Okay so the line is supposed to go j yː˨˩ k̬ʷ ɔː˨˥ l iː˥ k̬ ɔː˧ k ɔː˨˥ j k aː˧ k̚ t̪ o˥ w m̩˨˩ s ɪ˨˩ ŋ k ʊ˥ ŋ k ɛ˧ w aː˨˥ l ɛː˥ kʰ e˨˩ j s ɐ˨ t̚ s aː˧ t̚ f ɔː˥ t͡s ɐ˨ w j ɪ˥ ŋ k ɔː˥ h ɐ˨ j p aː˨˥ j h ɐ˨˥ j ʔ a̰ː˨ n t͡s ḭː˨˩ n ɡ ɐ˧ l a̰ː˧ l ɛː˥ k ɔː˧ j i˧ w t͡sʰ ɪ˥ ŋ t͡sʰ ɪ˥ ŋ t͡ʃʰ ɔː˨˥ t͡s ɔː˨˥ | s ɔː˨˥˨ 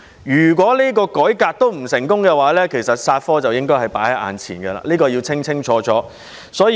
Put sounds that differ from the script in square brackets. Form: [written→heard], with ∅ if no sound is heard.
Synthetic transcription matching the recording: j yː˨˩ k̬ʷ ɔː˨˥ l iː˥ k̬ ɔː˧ k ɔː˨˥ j k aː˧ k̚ t̪ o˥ w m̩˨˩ s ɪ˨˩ ŋ k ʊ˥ ŋ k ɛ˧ w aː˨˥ l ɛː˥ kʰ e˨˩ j s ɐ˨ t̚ s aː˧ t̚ f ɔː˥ t͡s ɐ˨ w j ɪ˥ ŋ k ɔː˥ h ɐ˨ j p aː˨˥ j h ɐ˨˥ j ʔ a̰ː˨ n [t͡s→t͡sʰ] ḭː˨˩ n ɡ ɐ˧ l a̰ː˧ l [ɛː˥→iː˥] k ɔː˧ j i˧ w t͡sʰ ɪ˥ ŋ t͡sʰ ɪ˥ ŋ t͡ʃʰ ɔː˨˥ t͡s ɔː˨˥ | s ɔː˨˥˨